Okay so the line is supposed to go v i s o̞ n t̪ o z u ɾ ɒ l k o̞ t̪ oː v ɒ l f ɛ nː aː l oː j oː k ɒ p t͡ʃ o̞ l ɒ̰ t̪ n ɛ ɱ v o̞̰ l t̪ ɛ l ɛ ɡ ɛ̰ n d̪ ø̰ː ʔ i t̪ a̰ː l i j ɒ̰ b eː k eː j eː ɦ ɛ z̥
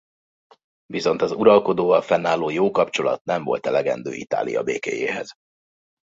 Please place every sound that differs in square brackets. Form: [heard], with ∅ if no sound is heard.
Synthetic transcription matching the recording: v i s o̞ n t̪ [ɒ] z u ɾ ɒ l k o̞ [d̪] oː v ɒ l f ɛ nː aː l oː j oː k ɒ p t͡ʃ o̞ l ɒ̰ t̪ n ɛ ɱ v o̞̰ l t̪ ɛ l ɛ ɡ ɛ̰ n d̪ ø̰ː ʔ i t̪ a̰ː l i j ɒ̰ b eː k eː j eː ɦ ɛ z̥